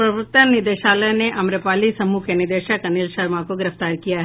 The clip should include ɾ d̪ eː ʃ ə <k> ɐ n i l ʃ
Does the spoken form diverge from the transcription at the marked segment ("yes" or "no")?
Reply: no